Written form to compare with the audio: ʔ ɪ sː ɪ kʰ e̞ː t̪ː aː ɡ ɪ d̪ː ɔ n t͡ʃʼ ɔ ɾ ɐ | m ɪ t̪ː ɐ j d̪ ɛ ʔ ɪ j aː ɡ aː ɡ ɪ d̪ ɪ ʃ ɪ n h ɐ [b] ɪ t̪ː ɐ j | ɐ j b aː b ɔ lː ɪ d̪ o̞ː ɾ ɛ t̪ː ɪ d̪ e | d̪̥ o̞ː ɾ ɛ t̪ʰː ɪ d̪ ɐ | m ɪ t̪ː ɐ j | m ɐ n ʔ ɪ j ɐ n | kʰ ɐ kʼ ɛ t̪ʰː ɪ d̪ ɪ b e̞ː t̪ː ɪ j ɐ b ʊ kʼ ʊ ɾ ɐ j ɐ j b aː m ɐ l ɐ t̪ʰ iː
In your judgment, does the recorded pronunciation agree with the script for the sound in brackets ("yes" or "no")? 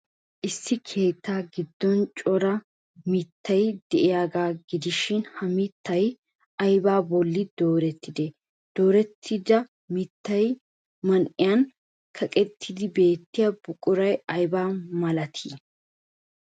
no